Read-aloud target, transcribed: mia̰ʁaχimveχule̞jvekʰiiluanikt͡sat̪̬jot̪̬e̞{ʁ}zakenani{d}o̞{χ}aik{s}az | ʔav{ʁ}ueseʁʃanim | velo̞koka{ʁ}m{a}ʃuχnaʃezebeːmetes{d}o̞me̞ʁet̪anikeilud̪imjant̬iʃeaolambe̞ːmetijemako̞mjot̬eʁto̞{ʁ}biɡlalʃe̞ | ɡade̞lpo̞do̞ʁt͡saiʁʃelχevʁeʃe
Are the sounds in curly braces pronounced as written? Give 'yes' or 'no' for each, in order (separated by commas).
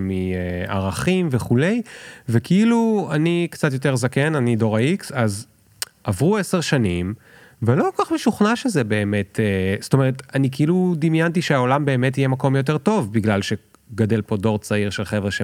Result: yes, yes, no, yes, yes, no, no, no, no